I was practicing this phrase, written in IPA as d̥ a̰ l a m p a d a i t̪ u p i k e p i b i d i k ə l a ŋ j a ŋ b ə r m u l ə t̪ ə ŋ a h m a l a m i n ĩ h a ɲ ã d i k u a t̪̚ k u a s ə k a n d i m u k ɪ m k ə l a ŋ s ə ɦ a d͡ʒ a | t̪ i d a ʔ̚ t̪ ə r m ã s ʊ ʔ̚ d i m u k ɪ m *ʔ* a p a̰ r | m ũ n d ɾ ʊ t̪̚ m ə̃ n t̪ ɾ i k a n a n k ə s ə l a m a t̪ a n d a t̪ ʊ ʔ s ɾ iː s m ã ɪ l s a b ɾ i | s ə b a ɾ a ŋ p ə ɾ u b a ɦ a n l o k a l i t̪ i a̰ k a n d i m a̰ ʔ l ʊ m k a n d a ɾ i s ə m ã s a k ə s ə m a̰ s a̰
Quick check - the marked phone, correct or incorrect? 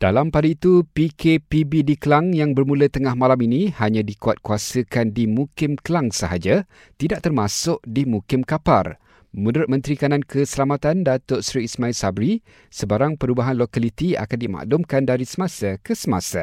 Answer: incorrect